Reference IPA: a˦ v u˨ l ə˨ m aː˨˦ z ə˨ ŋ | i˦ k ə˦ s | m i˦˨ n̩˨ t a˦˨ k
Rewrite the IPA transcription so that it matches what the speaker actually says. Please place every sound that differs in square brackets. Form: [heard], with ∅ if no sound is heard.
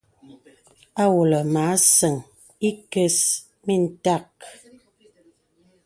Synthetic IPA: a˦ [w] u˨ l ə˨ m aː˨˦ [s] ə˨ ŋ | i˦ k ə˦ s | m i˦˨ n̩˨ t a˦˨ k